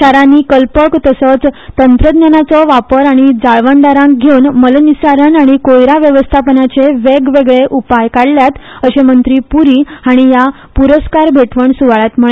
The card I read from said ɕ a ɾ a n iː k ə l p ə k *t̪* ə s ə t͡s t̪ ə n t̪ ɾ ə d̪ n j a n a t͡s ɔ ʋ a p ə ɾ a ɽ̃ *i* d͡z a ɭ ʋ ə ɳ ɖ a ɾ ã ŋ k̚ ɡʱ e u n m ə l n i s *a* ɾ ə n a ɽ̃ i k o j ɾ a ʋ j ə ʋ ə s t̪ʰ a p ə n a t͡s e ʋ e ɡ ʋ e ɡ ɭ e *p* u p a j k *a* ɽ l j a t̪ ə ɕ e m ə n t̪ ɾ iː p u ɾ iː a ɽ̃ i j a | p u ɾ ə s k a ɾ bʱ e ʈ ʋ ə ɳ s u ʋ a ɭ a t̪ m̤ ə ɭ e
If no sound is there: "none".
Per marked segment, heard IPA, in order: t̪, i, a, ʔ, a

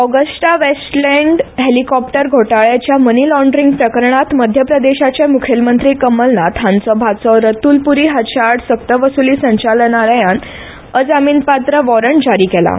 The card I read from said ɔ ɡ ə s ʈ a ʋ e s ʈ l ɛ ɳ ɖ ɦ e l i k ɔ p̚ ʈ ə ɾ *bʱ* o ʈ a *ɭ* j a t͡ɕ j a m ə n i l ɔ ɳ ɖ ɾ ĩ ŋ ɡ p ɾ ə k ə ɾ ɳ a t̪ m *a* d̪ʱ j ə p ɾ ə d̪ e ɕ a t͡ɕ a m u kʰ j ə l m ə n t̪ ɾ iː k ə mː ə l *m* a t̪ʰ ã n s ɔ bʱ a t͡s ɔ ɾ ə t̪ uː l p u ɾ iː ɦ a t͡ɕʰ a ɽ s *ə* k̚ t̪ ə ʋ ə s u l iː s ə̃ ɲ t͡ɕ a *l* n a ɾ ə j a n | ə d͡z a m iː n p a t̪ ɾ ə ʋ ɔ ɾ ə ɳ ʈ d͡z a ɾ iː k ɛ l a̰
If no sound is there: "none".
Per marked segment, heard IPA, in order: ɡʱ, ɭ, ə, n, ə, l

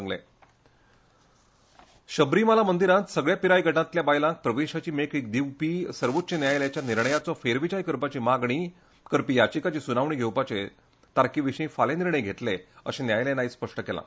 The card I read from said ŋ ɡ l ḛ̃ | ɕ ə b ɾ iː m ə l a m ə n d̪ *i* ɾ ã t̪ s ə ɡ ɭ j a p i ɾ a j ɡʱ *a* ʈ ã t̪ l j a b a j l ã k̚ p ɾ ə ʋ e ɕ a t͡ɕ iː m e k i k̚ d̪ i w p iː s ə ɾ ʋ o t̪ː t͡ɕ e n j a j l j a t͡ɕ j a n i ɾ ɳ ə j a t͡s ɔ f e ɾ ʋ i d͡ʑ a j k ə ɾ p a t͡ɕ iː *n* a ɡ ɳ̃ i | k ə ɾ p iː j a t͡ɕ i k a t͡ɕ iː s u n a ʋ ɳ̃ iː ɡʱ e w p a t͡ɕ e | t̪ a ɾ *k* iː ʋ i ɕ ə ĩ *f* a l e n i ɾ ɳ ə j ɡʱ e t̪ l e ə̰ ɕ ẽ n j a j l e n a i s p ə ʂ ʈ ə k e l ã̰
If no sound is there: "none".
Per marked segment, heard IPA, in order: i, ə, m, k, f

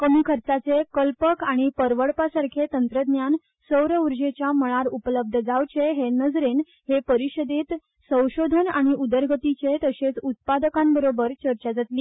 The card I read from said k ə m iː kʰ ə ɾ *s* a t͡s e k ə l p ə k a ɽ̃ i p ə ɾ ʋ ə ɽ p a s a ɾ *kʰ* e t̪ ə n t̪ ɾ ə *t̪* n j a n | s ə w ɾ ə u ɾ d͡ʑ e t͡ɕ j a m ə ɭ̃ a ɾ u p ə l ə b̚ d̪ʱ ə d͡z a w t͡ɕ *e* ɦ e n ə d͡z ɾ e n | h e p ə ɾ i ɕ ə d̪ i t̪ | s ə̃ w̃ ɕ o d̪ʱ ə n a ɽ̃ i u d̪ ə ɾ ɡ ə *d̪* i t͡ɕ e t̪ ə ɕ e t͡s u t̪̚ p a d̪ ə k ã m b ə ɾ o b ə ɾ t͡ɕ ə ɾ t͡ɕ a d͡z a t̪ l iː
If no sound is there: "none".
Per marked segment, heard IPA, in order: t͡s, kʰ, d̪, e, t̪

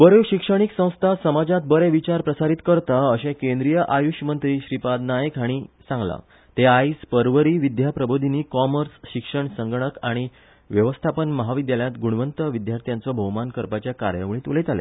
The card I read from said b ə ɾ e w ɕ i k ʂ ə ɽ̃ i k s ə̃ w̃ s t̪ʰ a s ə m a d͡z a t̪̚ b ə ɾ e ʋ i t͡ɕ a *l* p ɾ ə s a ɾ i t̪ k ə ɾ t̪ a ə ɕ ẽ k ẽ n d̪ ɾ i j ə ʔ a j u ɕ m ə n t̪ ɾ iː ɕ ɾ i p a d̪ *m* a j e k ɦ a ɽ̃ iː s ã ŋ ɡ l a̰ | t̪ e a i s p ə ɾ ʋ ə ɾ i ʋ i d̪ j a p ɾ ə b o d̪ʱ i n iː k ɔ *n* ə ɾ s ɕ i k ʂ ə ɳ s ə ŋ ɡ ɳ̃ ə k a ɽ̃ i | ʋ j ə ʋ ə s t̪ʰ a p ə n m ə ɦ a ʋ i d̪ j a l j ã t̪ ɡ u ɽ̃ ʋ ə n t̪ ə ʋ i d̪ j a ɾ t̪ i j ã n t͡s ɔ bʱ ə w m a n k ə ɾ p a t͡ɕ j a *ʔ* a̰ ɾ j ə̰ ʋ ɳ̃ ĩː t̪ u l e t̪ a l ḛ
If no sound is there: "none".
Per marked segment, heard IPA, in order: ɾ, n, m, k

